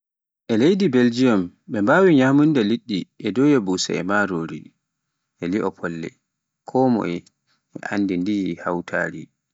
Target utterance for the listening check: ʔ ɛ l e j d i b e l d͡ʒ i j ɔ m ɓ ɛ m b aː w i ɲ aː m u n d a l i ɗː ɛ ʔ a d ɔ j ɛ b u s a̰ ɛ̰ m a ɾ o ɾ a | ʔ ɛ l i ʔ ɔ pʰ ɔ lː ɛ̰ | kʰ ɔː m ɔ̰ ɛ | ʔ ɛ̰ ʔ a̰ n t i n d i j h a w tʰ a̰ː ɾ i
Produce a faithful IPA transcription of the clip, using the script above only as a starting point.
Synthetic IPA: ʔ ɛ l e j d i b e l d͡ʒ i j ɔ m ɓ ɛ m b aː w i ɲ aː m u n d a l i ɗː i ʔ ɛ d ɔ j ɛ b u s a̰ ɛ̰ m a ɾ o ɾ i | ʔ ɛ l i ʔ ɔ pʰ ɔ lː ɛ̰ | kʰ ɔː m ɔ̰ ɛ | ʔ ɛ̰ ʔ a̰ n d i n d i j h a w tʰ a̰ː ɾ i